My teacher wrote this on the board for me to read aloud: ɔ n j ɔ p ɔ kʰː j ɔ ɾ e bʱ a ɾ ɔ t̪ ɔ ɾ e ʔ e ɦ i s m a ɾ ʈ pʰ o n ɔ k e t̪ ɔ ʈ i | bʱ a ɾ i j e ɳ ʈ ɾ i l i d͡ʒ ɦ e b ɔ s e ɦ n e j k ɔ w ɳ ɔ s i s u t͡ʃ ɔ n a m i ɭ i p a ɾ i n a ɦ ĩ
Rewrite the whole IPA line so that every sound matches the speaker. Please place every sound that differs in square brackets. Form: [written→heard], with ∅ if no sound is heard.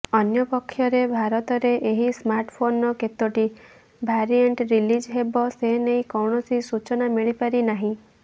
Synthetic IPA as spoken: ɔ n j ɔ p ɔ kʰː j ɔ ɾ e bʱ a ɾ ɔ t̪ ɔ ɾ e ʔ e ɦ i s m a ɾ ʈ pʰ o n ɔ k e t̪ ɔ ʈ i | bʱ a ɾ i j e ɳ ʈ ɾ i l i d͡ʒ ɦ e b ɔ s e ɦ n e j k ɔ w ɳ ɔ s i s u t͡ʃ ɔ n a m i ɭ i p a ɾ i n a ɦ ĩ